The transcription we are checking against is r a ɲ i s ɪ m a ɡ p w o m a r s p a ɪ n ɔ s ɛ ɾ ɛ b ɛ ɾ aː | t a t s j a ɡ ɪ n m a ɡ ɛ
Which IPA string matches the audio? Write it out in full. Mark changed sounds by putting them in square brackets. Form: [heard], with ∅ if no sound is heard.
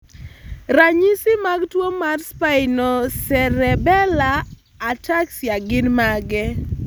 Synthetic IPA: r a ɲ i s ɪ m a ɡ [t] w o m a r s p a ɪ n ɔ s ɛ ɾ ɛ b ɛ [l] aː | t a [k] s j a ɡ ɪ n m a ɡ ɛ